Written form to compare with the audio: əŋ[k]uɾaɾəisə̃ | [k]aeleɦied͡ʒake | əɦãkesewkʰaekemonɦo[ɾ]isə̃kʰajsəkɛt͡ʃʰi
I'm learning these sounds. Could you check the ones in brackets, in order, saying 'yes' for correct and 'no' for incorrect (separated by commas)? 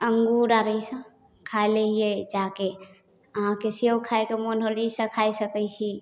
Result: no, no, no